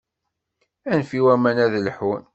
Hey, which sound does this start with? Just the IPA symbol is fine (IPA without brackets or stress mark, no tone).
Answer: æ